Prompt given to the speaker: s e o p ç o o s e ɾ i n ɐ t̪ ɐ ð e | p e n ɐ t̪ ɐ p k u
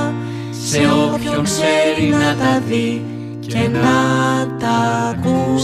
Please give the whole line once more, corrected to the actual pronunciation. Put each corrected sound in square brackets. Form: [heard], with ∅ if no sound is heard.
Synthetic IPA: s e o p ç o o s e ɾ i n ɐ t̪ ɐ ð [i] | [c] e n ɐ t̪ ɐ [∅] k u